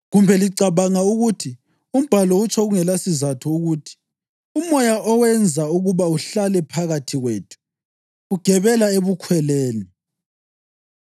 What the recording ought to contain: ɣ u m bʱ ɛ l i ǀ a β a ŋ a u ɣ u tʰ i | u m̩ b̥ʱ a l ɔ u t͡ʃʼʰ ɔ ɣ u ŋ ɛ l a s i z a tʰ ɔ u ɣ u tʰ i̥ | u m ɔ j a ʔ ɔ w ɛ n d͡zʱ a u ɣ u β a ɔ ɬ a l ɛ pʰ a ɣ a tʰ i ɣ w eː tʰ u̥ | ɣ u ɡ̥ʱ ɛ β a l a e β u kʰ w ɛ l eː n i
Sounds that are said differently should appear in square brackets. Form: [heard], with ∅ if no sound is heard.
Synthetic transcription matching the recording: ɣ u m bʱ ɛ l i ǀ a β a ŋ a u ɣ u tʰ i | u m̩ b̥ʱ a l ɔ u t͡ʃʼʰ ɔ ɣ u ŋ ɛ l a s i z a tʰ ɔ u ɣ u tʰ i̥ | u m ɔ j a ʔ ɔ w ɛ n d͡zʱ a u ɣ u β a [u] ɬ a l ɛ pʰ a ɣ a tʰ i ɣ w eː tʰ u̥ | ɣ u ɡ̥ʱ ɛ β [ɛ] l a e β u kʰ w ɛ l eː n i